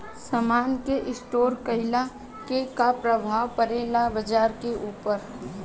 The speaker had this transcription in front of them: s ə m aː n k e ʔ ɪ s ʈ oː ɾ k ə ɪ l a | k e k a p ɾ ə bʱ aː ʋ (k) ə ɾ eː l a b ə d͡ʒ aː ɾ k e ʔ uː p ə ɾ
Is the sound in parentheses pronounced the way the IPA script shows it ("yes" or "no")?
no